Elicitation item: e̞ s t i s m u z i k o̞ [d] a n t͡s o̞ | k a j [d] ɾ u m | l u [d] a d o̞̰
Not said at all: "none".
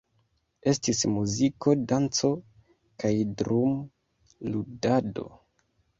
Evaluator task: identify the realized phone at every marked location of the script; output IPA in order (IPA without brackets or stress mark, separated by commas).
d, d, d